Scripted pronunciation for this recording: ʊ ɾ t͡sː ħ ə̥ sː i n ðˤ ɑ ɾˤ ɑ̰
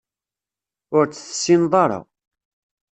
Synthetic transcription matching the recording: ʊ ɾ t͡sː θ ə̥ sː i n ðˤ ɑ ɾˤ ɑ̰

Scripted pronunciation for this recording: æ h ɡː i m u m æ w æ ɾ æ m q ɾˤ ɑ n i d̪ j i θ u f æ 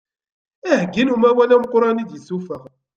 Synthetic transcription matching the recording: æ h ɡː i n u m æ w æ l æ m q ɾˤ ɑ n i d̪ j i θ u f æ

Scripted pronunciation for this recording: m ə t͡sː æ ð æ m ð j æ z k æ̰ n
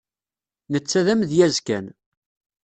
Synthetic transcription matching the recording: n ə t͡sː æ ð æ m ð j æ z k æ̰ n

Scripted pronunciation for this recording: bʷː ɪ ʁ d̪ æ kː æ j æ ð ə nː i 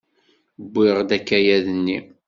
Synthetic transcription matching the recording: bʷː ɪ ʁ d̪ æ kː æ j æ ð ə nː i

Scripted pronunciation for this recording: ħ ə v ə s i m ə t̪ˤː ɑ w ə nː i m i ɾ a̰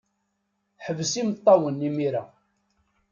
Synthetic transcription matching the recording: ħ ə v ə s i m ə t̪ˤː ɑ w ə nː i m i ɾ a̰

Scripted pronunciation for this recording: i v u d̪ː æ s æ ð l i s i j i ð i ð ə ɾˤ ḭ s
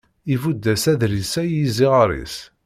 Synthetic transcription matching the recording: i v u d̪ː æ s æ ð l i s æ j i z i ʁ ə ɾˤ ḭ s

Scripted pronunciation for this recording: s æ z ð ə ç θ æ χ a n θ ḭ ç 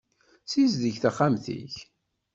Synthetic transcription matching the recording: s i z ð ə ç θ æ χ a m θ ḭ ç

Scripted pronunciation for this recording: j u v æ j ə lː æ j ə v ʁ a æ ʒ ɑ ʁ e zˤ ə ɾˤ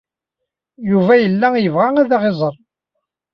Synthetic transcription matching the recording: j u v æ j ə lː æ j ə v ʁ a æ ð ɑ ʁ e zˤ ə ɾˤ

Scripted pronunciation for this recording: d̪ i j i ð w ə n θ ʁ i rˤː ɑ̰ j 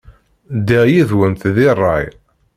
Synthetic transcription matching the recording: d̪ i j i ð w ə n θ ð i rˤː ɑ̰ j

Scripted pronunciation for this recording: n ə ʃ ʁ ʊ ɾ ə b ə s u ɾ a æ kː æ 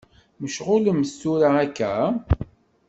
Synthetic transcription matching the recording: m ə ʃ ʁ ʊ l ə m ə s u ɾ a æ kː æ

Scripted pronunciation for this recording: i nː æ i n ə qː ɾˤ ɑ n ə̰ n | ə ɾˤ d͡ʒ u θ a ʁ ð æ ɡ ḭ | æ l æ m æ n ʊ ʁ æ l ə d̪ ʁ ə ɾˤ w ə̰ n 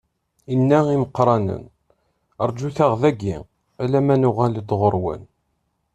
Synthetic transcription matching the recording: i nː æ i m ə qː ɾˤ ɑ n ə̰ n | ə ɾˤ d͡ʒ u θ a ʁ ð æ ɡ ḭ | æ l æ m æ n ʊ ʁ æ l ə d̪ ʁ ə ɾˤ w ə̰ n

